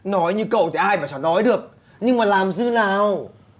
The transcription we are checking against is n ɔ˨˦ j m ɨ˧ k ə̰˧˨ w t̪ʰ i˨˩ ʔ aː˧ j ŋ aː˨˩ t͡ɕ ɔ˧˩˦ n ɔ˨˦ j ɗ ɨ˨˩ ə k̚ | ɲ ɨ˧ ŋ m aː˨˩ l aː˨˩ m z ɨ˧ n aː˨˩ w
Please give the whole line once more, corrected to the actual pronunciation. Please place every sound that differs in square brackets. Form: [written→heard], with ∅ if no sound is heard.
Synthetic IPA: n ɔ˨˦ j [m→ɲ] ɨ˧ k ə̰˧˨ w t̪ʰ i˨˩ ʔ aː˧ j [ŋ→m] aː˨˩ t͡ɕ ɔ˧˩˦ n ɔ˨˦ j ɗ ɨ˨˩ ə k̚ | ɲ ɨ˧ ŋ m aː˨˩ l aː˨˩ m z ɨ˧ n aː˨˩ w